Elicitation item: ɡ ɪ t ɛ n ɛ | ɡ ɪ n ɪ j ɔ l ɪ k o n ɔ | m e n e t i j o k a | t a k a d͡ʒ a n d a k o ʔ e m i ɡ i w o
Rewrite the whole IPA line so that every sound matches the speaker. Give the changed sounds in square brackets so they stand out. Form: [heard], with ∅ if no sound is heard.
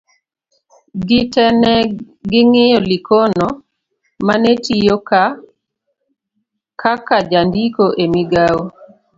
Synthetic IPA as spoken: ɡ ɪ t ɛ n ɛ | ɡ ɪ [ŋ] ɪ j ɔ l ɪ k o n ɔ | m [a] n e t i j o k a | [k] a k a d͡ʒ a n d [i] k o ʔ e m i ɡ [a] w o